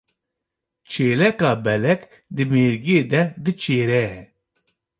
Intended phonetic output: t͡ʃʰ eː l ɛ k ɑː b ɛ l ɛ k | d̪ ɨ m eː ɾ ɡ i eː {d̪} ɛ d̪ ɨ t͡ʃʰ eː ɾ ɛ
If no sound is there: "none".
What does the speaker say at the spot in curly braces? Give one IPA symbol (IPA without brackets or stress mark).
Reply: d̪